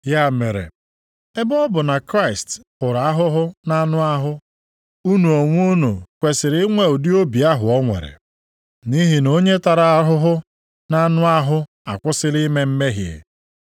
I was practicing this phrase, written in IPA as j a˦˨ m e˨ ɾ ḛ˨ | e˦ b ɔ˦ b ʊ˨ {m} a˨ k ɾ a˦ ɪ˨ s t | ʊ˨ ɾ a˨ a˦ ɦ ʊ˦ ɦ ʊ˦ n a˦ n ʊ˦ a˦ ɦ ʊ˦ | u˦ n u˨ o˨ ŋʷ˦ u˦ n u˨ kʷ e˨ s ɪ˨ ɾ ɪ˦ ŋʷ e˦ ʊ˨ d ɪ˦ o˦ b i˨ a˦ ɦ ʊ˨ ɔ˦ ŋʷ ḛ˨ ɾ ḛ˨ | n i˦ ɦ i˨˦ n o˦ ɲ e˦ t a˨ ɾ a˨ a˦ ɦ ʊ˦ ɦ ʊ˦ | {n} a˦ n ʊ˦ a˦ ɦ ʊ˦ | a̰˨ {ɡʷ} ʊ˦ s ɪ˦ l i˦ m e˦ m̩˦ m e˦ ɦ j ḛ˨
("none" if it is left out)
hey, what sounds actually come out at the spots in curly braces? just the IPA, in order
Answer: n, n, kʷ

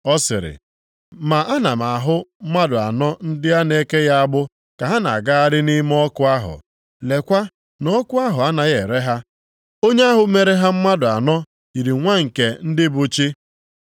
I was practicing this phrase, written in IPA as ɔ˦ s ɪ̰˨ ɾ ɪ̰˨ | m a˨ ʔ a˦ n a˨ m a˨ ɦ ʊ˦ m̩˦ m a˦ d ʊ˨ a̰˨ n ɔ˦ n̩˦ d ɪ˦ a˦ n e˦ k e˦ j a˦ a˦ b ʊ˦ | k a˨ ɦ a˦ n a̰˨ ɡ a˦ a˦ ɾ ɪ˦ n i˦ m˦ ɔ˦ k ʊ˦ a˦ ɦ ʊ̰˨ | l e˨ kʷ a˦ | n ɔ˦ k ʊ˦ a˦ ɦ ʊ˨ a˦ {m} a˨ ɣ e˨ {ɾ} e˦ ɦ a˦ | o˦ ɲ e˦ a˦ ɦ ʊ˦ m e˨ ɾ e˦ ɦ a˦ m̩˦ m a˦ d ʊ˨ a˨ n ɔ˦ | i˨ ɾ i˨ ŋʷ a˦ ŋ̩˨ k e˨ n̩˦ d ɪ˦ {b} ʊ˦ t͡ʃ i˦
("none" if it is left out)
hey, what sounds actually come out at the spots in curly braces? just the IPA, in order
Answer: n, ɾ, b

